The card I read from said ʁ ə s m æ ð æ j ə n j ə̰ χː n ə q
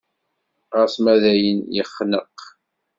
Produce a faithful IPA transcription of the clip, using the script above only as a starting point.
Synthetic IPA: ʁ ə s m æ ð æ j ə n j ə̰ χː n ə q